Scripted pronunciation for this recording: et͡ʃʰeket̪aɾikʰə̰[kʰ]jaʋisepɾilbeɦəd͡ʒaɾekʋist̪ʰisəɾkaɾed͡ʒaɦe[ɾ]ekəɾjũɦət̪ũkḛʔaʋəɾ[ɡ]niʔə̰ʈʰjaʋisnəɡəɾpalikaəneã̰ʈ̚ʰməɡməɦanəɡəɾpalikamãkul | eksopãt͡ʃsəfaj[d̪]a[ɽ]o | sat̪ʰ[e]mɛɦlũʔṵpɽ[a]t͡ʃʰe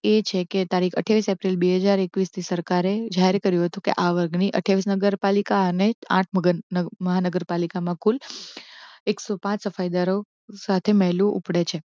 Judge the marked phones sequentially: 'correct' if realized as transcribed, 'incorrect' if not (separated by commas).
incorrect, correct, correct, correct, incorrect, correct, incorrect